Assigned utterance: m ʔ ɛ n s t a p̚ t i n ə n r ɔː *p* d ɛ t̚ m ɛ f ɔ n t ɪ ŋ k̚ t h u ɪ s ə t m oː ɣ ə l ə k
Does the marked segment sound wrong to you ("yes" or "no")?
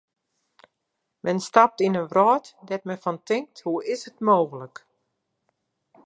yes